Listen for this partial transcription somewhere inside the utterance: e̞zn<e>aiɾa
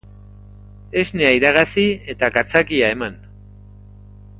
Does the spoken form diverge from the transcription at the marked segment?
no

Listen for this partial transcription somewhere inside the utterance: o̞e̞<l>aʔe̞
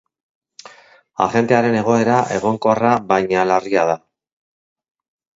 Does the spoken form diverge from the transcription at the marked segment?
yes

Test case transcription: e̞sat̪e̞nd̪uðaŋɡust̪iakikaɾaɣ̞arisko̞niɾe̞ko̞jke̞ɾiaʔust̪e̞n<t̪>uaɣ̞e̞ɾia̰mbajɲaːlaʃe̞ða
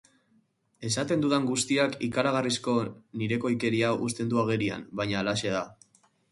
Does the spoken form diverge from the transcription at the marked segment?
yes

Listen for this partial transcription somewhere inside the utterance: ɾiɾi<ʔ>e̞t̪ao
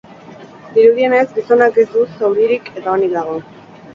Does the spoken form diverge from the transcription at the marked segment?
yes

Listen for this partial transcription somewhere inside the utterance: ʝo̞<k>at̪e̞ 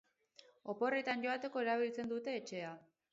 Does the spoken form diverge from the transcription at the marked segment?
yes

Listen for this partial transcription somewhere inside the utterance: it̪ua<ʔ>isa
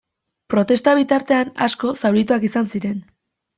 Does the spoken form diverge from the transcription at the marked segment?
yes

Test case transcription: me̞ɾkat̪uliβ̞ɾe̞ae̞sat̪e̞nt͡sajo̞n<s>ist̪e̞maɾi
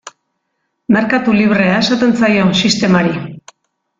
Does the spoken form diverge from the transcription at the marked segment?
no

